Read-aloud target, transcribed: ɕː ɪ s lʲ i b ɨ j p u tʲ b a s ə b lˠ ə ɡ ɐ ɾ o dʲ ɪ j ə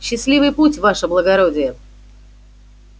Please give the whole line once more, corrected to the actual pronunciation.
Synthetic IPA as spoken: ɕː ɪ s lʲ i v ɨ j p u tʲ v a ʂ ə b lˠ ə ɡ ɐ ɾ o dʲ ɪ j ə